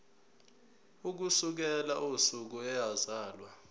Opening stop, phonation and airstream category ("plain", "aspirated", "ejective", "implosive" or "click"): plain